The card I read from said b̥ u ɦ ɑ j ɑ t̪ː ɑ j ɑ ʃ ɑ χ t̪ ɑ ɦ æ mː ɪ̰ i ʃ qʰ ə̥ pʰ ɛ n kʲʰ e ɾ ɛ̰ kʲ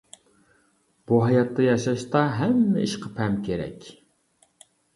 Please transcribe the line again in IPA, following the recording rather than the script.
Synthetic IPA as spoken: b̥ u ɦ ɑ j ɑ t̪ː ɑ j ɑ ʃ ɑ ʃ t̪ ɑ ɦ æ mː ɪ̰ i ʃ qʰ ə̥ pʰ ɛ m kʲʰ e ɾ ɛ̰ kʲ